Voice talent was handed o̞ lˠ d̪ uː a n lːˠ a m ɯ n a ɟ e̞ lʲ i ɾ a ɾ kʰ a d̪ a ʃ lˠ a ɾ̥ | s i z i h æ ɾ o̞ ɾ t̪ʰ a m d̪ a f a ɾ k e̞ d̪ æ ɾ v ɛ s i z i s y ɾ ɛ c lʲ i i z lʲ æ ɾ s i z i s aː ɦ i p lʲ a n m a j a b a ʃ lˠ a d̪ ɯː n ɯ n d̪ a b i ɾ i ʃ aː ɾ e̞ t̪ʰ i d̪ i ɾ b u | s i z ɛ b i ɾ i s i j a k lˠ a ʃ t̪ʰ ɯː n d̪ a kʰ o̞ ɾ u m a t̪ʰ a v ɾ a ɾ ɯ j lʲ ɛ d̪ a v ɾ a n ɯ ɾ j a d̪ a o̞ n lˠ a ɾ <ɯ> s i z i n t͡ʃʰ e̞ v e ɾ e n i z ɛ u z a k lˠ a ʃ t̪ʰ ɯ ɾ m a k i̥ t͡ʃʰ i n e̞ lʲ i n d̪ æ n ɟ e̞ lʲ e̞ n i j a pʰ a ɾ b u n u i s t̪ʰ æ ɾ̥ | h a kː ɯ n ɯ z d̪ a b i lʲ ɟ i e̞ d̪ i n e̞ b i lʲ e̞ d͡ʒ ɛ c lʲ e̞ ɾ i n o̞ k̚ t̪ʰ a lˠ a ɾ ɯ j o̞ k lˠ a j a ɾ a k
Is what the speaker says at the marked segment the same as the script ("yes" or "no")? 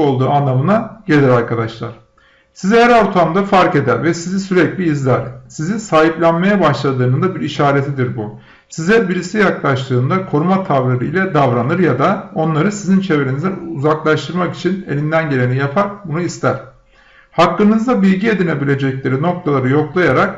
yes